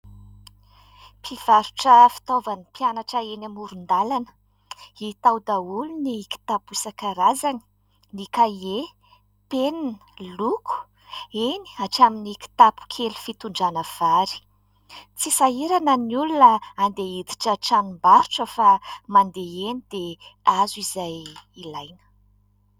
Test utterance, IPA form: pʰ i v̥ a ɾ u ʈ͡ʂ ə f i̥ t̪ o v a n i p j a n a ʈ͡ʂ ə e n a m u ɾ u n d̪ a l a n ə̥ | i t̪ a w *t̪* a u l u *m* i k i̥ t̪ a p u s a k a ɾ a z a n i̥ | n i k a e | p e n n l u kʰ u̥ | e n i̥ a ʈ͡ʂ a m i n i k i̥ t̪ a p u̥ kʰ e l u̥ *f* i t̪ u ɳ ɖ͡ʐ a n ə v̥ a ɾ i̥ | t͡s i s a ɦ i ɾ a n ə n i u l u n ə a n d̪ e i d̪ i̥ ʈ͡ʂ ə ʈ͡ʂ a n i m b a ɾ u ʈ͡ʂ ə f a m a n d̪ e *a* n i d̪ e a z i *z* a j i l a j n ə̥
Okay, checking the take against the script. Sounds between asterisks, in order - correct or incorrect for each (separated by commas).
incorrect, incorrect, correct, incorrect, correct